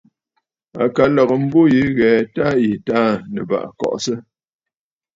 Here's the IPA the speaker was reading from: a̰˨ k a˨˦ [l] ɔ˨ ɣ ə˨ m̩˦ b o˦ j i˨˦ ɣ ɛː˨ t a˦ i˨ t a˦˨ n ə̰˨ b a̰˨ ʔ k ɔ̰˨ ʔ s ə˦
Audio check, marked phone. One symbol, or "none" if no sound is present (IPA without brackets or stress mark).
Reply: l